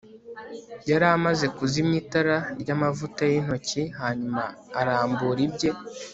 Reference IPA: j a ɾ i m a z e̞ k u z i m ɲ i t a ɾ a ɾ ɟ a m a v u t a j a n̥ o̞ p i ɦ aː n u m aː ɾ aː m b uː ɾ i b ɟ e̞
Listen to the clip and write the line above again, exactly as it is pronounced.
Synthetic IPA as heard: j a ɾ a m a z e̞ k u z i m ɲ i t a ɾ a ɾ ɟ a m a v u t a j i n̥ o̞ c i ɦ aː ɲ u m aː ɾ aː m b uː ɾ i b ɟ e̞